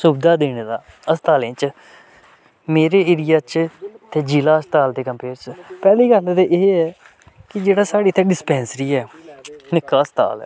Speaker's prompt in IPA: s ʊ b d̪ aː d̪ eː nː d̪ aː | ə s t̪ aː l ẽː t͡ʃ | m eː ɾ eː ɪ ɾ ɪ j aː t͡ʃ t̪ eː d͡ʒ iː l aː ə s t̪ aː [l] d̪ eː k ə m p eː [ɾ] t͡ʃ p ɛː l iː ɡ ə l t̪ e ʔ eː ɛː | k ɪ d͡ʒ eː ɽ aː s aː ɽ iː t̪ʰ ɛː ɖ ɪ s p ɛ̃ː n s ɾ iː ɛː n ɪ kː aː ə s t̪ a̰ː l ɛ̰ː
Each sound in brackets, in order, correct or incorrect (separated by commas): correct, correct